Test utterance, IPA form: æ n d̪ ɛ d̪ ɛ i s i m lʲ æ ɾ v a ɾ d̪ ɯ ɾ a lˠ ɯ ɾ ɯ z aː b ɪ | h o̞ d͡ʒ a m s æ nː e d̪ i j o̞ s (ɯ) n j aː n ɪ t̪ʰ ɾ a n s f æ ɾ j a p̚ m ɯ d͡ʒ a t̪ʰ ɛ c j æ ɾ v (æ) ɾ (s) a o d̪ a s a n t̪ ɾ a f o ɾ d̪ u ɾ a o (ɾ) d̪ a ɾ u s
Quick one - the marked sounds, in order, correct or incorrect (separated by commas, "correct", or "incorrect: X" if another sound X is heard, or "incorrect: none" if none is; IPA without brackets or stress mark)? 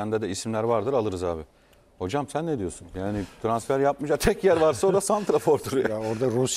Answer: incorrect: u, incorrect: a, correct, correct